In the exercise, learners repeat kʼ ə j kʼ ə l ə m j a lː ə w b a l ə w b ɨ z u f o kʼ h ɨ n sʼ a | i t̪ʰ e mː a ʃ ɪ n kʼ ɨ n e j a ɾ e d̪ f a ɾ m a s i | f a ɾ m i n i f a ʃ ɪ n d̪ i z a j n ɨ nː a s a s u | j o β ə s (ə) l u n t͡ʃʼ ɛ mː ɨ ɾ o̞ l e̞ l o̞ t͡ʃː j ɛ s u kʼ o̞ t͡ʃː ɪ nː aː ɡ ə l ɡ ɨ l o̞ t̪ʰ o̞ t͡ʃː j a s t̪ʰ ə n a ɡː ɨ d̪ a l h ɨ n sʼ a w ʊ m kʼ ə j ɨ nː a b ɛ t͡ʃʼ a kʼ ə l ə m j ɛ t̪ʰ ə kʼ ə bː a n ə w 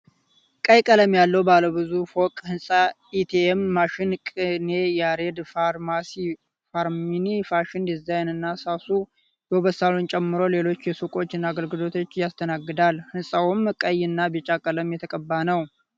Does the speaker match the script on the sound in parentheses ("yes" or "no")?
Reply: no